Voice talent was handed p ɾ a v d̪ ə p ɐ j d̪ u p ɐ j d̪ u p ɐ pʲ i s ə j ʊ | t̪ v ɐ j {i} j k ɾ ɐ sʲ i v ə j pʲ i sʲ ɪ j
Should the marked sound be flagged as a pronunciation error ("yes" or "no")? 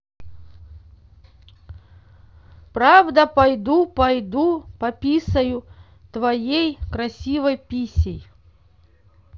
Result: yes